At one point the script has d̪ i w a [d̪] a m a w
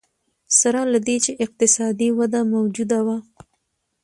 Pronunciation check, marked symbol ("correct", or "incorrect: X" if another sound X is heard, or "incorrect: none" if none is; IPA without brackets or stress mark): correct